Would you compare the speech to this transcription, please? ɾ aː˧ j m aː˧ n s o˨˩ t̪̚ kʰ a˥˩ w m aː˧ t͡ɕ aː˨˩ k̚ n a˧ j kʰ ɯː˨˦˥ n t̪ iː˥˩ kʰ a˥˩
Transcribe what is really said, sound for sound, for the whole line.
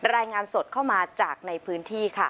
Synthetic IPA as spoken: ɾ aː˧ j ŋ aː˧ n s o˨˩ t̪̚ kʰ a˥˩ w m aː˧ t͡ɕ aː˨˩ k̚ n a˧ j pʰ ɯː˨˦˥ n t̪ʰ iː˥˩ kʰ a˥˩

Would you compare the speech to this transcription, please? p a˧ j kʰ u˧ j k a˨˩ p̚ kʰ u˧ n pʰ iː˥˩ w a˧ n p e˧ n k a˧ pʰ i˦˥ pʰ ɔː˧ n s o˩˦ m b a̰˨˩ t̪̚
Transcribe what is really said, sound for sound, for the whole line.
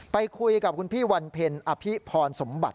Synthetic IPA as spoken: p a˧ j kʰ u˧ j k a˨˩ p̚ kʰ u˧ n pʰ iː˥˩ w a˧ n pʰ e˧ n ʔ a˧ pʰ i˦˥ pʰ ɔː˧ n s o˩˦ m b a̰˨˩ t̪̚

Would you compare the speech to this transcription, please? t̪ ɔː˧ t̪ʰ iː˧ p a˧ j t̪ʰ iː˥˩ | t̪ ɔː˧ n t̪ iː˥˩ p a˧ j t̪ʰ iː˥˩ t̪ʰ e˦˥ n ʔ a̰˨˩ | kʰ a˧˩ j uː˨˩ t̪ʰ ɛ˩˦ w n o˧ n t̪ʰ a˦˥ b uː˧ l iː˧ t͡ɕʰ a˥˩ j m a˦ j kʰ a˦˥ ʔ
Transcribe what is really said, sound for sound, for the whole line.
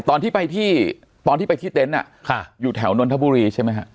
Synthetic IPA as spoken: t̪ ɔː˧ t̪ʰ iː˥˩ p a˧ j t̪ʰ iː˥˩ | t̪ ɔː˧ n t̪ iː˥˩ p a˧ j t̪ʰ iː˥˩ t̪ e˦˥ n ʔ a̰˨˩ | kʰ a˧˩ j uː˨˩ t̪ʰ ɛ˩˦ w n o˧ n t̪ʰ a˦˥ b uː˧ ɾ iː˧ t͡ɕʰ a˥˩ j m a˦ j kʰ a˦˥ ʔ

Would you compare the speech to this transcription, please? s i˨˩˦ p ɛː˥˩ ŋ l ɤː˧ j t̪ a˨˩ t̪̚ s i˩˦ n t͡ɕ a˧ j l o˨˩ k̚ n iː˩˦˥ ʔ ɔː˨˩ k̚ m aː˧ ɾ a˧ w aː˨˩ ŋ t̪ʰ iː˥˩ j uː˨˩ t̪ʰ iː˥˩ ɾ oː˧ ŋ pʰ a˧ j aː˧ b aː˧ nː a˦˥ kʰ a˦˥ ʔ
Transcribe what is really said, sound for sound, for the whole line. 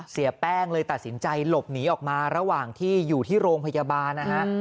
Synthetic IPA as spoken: s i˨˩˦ p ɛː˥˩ ŋ l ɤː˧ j t̪ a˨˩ t̪̚ s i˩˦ n t͡ɕ a˧ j l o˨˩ p̚ n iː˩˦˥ ʔ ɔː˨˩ k̚ m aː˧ ɾ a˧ w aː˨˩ ŋ t̪ʰ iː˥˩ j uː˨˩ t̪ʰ iː˥˩ ɾ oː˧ ŋ pʰ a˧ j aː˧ b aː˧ nː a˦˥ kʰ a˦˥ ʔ

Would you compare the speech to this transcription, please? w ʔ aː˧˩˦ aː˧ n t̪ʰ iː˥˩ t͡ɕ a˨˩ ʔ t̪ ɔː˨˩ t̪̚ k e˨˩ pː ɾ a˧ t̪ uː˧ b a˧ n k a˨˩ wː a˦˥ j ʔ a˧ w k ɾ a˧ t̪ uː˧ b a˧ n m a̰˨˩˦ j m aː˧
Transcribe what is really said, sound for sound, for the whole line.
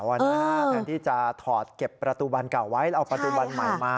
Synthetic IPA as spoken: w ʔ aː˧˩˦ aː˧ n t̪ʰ iː˥˩ t͡ɕ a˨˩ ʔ t̪ʰ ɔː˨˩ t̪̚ k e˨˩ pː ɾ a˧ t̪ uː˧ b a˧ n k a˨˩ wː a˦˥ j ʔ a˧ w p ɾ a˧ t̪ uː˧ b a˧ n m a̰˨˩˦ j m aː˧

